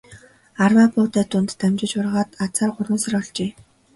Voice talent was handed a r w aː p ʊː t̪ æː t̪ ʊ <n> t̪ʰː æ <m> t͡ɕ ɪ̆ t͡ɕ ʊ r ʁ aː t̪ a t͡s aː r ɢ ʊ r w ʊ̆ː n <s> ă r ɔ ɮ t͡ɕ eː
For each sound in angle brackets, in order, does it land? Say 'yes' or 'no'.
yes, yes, yes

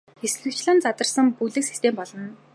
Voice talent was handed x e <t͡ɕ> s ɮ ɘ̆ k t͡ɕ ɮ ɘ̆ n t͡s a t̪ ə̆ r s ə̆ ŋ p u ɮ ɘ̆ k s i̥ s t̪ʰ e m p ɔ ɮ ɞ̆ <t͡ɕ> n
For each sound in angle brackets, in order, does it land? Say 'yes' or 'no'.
no, no

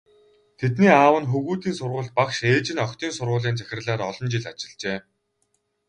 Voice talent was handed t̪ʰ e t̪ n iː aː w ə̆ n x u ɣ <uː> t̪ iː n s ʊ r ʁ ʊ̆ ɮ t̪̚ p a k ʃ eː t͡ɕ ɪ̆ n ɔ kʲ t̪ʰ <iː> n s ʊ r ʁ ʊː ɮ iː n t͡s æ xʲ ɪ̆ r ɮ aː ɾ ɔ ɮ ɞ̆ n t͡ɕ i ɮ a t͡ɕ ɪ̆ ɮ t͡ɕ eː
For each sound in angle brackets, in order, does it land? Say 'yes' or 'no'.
yes, yes

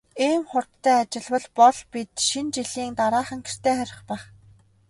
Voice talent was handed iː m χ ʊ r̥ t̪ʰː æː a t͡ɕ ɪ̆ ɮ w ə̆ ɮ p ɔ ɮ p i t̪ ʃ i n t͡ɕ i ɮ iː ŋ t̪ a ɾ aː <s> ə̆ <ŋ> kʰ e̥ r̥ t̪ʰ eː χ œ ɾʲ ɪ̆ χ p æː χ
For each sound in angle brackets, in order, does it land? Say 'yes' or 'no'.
no, yes

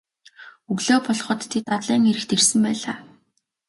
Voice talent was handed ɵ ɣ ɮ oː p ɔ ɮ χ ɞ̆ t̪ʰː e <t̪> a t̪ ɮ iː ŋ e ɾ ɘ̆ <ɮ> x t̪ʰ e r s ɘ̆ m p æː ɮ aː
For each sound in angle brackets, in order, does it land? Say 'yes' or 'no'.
yes, no

